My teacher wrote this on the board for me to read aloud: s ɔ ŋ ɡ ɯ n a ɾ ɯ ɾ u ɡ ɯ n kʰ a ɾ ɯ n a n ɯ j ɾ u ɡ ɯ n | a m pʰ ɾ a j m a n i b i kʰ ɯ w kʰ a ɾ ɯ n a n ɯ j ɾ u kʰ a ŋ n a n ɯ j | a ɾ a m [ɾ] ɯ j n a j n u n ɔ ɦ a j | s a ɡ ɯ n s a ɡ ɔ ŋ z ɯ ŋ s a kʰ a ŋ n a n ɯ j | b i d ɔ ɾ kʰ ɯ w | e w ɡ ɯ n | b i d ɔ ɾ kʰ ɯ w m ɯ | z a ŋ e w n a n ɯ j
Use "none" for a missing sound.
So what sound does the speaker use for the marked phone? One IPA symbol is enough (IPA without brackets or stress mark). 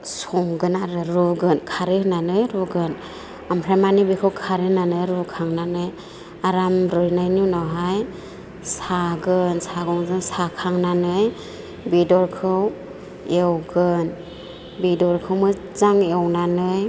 ɾ